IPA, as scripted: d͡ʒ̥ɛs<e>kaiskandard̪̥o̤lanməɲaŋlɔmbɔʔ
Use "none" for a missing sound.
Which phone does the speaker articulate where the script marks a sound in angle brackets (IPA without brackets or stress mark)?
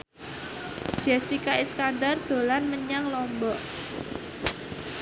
i